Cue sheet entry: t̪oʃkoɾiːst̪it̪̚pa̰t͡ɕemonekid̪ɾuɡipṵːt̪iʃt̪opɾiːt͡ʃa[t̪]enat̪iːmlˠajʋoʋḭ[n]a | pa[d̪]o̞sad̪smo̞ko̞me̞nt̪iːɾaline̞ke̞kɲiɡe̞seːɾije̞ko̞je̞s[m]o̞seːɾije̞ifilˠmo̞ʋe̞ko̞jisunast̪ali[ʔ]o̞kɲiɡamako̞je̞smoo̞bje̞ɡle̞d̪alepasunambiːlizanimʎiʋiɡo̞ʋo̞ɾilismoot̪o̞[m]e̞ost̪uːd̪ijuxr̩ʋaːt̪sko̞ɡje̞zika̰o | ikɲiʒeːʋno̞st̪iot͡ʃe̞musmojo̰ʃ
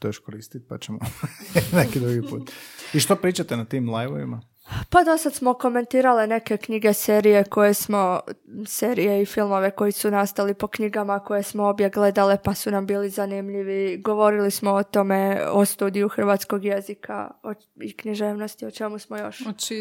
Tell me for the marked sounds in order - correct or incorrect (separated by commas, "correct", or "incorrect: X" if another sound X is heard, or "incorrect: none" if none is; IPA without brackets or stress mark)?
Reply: correct, incorrect: m, correct, correct, incorrect: p, correct